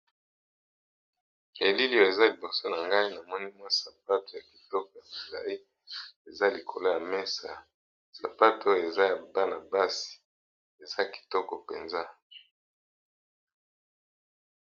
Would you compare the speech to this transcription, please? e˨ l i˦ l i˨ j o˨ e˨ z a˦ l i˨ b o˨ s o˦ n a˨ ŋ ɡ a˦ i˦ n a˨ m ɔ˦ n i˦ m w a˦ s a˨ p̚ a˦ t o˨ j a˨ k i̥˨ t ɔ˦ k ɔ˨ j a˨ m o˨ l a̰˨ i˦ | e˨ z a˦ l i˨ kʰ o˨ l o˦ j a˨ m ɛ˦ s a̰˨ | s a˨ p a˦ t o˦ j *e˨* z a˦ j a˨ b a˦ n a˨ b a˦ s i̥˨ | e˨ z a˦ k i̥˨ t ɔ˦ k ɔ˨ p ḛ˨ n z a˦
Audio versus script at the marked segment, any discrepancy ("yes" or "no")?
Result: no